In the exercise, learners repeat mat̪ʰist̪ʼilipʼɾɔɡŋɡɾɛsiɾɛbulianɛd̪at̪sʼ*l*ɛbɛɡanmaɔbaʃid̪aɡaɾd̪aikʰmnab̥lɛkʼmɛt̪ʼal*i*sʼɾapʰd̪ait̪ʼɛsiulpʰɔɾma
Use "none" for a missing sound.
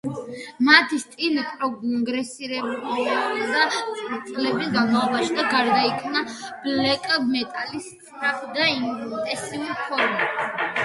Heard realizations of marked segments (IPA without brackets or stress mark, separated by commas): l, i